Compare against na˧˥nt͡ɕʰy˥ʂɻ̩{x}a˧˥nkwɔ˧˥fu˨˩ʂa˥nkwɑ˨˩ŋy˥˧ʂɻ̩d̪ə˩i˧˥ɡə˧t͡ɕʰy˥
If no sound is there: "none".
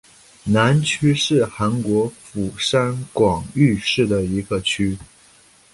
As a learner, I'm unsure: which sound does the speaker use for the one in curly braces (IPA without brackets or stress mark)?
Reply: x